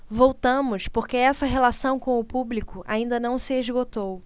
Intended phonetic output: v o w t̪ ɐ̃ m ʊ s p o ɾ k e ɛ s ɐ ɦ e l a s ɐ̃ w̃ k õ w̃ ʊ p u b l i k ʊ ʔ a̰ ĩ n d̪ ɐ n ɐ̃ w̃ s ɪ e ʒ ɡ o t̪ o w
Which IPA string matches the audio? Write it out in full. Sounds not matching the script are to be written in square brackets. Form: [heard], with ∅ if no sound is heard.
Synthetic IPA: v o w t̪ ɐ̃ m ʊ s p o ɾ k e ɛ s ɐ ɦ e l a s ɐ̃ w̃ k õ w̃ ʊ p u b l i k ʊ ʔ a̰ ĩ n d̪ ɐ n ɐ̃ w̃ s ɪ e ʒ ɡ o t̪ o w